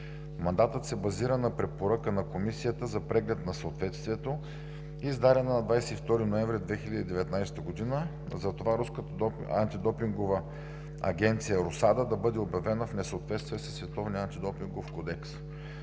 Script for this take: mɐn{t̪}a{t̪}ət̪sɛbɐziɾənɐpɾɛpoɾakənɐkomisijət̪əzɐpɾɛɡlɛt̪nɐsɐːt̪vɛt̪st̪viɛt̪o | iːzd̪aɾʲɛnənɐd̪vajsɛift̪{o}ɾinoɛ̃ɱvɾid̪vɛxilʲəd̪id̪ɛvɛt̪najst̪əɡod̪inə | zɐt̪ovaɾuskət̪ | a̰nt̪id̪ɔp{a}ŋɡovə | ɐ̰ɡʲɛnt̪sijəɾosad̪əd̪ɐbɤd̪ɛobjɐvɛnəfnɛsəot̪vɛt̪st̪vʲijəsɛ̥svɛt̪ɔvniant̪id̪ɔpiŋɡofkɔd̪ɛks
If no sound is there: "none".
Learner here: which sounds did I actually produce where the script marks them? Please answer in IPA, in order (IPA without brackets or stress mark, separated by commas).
d̪, t̪, ɔ, i